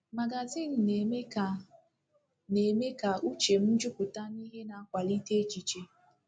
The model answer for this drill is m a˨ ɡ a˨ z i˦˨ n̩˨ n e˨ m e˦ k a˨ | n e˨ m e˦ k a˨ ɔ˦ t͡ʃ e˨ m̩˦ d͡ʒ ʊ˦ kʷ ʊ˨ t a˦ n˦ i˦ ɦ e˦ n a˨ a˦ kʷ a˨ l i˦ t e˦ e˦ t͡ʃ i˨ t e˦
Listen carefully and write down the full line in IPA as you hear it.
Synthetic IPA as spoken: m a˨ ɡ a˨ z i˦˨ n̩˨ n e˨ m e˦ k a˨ | n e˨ m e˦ k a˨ u˦ t͡ʃ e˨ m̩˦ d͡ʒ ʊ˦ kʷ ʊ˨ t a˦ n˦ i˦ ɦ e˦ n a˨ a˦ kʷ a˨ l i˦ t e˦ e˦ t͡ʃ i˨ t͡ʃ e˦